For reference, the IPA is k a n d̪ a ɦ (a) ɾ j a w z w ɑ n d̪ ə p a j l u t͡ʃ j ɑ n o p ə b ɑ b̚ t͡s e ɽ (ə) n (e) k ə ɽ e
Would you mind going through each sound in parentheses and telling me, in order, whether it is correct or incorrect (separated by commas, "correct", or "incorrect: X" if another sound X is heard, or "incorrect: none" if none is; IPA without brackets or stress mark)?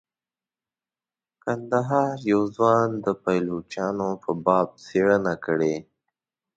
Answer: incorrect: ɑ, correct, incorrect: a